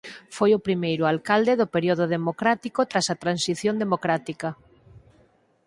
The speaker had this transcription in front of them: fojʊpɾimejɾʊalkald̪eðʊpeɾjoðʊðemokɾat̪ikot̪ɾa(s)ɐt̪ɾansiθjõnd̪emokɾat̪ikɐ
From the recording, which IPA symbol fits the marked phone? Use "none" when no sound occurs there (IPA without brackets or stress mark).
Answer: s